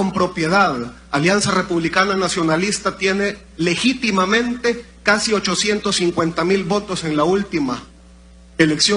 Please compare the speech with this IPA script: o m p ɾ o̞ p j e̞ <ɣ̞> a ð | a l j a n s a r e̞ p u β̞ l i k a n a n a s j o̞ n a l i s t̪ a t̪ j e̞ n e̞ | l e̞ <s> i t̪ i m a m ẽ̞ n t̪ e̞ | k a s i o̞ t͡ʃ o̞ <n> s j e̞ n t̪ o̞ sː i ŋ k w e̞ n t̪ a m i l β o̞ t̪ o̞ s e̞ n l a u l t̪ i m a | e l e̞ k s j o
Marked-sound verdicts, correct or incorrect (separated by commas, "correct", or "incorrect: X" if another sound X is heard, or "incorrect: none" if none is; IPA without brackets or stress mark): incorrect: ð̞, incorrect: x, incorrect: none